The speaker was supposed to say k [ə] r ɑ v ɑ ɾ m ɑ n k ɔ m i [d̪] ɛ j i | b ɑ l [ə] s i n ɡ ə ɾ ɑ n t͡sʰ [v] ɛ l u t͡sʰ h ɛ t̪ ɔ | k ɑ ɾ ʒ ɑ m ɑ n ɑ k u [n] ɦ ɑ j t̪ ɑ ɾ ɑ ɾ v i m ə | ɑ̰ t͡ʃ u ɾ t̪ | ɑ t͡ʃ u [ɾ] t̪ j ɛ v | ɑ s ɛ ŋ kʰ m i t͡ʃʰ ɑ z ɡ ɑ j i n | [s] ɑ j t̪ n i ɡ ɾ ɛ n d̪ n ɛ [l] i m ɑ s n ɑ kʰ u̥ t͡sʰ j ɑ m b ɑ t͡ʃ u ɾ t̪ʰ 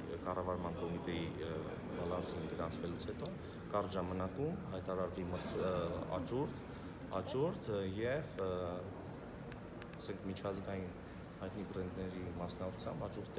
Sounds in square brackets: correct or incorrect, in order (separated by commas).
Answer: incorrect, incorrect, incorrect, correct, incorrect, correct, incorrect, incorrect